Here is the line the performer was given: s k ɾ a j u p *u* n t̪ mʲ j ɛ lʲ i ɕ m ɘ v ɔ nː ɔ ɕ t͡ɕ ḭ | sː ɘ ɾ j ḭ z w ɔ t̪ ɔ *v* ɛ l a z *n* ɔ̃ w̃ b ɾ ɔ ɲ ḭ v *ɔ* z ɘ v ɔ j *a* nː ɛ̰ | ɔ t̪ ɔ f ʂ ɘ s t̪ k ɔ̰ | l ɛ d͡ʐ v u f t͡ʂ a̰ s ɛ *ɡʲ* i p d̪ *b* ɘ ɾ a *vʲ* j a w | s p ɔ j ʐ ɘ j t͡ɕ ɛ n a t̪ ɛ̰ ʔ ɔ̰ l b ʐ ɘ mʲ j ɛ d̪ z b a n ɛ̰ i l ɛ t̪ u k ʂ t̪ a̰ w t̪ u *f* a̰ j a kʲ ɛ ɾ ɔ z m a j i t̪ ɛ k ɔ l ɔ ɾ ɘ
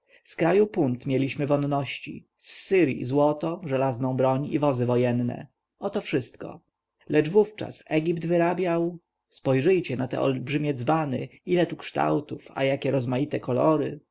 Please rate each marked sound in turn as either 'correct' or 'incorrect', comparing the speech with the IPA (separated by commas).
correct, incorrect, correct, correct, incorrect, correct, incorrect, incorrect, correct